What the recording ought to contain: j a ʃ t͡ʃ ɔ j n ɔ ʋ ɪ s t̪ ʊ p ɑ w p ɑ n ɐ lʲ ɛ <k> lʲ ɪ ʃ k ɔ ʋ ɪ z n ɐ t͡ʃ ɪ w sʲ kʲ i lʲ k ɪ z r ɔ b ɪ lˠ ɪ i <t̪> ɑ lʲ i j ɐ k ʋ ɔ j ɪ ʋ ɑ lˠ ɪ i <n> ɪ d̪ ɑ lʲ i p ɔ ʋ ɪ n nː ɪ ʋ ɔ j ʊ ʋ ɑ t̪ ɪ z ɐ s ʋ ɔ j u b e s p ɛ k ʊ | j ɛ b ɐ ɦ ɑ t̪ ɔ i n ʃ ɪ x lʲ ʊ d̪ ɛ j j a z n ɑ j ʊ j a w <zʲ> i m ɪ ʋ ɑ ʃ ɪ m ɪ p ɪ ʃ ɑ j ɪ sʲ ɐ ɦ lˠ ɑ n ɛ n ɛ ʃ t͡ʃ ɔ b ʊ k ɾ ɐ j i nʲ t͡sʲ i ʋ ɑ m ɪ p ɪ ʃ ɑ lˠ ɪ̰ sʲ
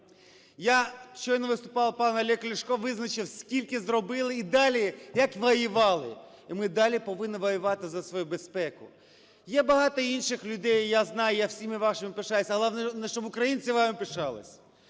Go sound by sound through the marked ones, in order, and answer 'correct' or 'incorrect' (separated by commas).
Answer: correct, incorrect, incorrect, incorrect